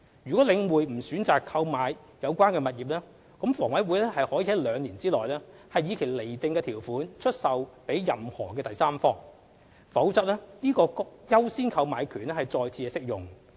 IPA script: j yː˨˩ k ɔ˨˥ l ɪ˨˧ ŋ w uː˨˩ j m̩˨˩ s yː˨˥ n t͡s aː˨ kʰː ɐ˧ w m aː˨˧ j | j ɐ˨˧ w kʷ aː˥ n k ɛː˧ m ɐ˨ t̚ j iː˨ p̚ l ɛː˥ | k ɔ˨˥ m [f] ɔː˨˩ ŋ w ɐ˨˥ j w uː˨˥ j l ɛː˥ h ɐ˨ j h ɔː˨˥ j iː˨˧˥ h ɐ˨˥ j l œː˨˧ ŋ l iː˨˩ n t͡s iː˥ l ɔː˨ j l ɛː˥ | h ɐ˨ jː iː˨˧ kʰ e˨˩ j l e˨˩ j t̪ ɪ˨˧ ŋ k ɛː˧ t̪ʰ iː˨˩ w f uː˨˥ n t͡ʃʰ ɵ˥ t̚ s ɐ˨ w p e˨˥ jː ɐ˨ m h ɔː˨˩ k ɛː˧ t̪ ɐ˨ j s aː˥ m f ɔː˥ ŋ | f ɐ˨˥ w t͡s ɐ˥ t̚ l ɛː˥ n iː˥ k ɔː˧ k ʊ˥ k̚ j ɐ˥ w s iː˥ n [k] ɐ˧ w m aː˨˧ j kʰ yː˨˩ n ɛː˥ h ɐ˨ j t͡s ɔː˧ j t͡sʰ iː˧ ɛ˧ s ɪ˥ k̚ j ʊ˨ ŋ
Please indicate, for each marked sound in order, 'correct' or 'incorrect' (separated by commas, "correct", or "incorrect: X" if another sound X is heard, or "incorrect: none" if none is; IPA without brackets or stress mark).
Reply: correct, incorrect: kʰ